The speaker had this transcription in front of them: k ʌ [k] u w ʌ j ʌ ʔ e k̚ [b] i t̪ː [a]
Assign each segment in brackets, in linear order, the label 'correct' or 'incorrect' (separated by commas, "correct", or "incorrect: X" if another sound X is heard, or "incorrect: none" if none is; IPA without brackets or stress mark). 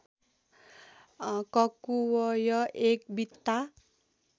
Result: correct, correct, correct